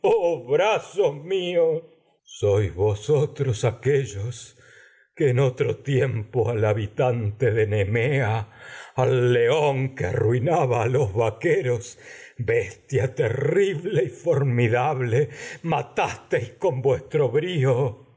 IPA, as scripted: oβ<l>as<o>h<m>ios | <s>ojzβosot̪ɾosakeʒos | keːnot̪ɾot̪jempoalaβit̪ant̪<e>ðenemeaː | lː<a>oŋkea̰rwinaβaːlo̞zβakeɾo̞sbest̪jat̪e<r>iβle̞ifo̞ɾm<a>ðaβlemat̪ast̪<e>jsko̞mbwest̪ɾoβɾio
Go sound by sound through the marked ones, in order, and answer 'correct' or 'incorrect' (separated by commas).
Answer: incorrect, correct, correct, correct, correct, incorrect, correct, incorrect, correct